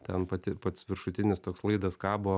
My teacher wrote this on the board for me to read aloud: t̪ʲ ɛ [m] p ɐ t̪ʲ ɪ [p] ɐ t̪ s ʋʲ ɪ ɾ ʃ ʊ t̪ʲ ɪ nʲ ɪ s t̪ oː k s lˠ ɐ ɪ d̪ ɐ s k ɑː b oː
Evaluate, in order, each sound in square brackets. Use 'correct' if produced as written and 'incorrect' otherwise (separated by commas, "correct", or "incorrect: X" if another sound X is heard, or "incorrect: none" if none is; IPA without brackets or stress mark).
incorrect: n, correct